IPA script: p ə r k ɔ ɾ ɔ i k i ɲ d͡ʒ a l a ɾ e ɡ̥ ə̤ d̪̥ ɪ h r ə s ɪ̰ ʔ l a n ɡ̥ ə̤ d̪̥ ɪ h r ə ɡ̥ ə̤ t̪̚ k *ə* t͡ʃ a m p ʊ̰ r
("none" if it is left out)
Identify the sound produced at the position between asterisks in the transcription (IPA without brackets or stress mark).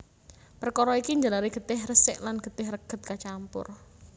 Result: a